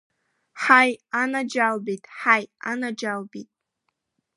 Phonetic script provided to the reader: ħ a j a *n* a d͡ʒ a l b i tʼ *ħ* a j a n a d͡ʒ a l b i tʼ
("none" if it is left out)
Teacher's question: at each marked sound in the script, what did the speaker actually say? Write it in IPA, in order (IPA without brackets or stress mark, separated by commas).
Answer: n, ħ